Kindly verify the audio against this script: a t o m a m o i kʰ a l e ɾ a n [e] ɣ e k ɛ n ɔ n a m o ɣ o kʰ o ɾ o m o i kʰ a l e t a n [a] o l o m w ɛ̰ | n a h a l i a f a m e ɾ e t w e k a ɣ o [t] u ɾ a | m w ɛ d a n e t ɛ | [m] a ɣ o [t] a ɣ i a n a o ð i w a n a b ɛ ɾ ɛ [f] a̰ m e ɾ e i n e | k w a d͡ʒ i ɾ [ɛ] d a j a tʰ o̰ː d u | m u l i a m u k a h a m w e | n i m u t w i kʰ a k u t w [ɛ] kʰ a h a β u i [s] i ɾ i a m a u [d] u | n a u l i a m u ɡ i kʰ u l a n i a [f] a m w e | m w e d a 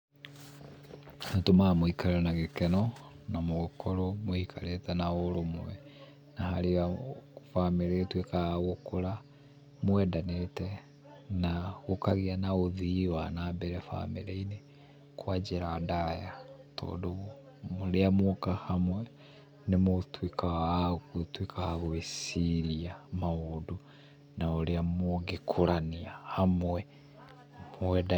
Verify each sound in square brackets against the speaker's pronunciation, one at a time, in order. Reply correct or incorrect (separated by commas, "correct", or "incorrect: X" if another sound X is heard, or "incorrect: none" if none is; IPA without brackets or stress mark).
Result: incorrect: a, correct, incorrect: k, incorrect: n, incorrect: k, correct, incorrect: a, incorrect: i, correct, correct, incorrect: h